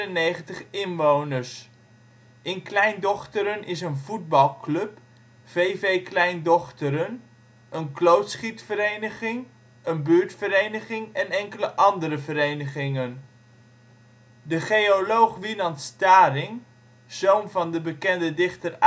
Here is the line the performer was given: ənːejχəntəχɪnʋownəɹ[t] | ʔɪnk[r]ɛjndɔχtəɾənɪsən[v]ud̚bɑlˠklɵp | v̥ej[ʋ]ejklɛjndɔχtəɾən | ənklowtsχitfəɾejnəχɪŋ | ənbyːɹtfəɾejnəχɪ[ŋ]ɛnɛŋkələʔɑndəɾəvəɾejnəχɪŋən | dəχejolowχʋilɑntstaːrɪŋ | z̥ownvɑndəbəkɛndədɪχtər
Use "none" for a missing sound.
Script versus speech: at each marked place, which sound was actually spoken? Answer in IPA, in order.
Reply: s, l, v, v, ŋ

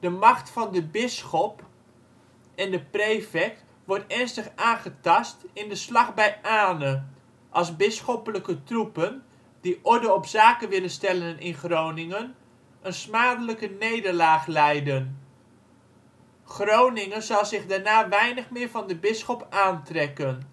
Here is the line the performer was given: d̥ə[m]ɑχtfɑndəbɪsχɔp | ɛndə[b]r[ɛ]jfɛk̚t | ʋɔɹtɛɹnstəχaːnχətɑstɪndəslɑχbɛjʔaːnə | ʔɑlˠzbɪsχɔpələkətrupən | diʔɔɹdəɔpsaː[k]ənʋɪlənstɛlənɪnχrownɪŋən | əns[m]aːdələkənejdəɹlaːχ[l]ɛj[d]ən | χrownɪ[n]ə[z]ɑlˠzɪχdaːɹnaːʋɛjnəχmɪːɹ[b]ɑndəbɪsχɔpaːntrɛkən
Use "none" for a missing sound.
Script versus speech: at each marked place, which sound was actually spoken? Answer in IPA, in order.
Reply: m, p, e, k, m, l, d, ŋ, z, v

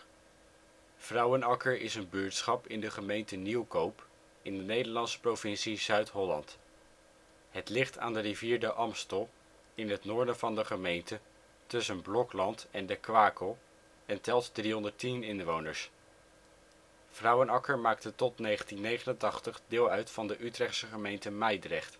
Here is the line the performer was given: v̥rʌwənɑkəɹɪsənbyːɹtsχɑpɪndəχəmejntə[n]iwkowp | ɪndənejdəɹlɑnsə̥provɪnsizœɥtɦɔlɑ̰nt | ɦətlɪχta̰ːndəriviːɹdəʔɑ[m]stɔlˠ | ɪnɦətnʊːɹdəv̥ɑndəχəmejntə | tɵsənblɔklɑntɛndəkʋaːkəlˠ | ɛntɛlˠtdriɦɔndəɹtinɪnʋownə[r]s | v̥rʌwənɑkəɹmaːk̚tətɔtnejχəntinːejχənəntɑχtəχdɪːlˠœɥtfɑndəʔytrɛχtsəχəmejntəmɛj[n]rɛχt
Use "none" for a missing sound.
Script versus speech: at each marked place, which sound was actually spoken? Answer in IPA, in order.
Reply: n, m, ɹ, d

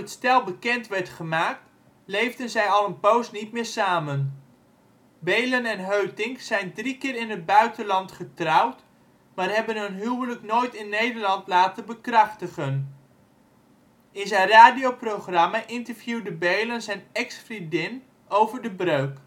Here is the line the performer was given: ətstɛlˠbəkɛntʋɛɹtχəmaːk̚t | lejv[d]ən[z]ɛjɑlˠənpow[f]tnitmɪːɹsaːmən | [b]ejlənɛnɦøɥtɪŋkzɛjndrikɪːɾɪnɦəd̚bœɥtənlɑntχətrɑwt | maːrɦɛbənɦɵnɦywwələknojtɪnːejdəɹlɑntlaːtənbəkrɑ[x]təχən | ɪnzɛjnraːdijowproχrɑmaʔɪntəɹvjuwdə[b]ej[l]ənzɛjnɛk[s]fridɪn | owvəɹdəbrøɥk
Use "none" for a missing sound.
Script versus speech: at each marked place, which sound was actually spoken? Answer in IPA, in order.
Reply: d, z, s, b, χ, b, l, s

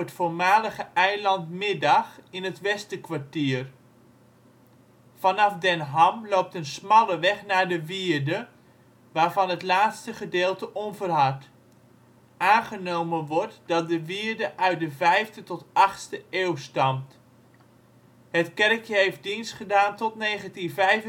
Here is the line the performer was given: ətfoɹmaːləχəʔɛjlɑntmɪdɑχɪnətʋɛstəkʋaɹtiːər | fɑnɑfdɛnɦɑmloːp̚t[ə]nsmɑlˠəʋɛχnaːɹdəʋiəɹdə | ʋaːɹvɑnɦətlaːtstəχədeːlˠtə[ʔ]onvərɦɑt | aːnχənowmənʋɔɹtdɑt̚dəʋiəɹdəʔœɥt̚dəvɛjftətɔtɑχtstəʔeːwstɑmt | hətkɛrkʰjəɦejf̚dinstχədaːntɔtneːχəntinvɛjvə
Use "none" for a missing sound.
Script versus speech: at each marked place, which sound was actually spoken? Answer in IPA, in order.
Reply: ə, ʔ

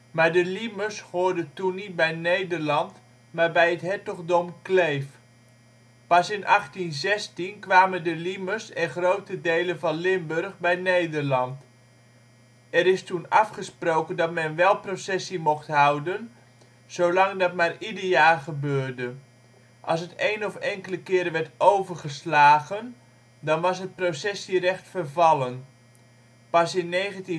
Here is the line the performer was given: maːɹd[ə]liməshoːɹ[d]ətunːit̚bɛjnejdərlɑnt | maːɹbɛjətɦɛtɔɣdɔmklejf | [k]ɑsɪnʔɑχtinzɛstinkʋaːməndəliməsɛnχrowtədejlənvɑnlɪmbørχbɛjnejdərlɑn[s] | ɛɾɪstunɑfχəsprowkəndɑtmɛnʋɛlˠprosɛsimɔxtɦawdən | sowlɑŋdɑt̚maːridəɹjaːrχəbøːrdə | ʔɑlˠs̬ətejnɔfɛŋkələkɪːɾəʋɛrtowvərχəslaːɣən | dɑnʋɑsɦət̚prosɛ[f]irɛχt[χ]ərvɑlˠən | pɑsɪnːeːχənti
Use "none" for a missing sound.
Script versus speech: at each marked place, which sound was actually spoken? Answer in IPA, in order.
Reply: ə, d, p, t, s, f

